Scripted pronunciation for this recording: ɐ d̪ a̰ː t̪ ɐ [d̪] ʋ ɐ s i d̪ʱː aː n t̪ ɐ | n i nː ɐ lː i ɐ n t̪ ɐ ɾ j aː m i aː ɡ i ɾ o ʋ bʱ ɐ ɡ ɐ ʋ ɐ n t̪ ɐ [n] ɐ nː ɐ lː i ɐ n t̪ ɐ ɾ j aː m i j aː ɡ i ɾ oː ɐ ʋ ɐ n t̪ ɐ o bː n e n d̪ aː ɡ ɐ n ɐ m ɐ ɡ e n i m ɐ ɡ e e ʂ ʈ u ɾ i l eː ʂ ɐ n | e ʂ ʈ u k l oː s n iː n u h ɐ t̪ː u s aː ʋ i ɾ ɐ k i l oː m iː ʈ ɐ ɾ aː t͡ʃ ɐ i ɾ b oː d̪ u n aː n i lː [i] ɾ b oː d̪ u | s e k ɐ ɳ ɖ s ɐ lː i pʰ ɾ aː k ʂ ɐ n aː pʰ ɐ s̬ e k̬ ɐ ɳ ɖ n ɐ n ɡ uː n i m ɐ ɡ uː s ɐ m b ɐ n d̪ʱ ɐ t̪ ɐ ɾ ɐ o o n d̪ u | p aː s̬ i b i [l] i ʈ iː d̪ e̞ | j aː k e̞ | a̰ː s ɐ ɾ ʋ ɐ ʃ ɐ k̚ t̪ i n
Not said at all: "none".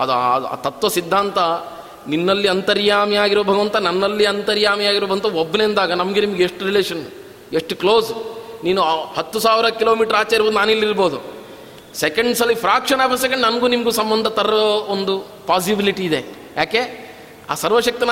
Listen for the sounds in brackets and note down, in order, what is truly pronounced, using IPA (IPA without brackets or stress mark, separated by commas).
t̪, n, i, l